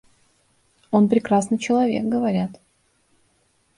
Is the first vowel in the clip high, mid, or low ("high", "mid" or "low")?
mid